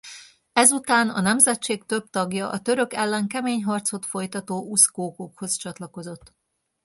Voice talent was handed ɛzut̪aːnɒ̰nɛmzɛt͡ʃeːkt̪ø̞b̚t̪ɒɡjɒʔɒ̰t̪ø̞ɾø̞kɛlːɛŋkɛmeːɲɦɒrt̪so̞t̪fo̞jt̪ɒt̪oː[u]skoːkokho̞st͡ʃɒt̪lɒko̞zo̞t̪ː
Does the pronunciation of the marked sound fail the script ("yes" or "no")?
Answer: no